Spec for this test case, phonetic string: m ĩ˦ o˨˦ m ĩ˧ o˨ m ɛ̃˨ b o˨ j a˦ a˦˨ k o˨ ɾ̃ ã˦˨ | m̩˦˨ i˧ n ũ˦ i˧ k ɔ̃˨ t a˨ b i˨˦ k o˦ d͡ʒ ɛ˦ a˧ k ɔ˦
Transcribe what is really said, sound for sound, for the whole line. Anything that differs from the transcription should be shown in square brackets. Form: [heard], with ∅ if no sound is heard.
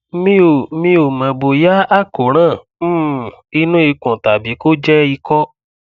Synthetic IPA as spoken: m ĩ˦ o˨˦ m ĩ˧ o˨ m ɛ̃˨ b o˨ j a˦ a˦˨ k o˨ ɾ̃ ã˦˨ | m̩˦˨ i˧ n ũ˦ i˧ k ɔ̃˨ t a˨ b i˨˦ k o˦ d͡ʒ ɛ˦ [i˧] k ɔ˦